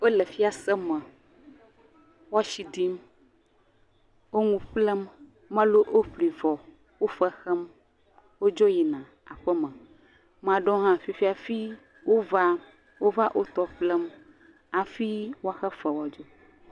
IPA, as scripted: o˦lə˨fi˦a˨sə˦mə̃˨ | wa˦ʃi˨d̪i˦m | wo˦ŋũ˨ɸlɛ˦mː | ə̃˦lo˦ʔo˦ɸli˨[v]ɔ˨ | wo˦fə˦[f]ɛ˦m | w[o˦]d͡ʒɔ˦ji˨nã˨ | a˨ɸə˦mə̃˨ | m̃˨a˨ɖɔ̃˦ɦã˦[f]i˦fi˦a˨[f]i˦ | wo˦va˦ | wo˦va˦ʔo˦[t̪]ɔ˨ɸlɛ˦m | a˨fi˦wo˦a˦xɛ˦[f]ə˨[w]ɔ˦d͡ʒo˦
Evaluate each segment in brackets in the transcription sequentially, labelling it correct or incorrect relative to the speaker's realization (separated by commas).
correct, incorrect, correct, correct, correct, correct, correct, correct